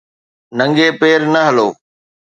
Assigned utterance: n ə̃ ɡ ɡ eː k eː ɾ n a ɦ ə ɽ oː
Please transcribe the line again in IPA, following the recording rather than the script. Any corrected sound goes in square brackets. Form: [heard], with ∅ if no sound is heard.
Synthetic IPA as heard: n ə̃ [ŋ] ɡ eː [p] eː ɾ n [ə] ɦ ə [l] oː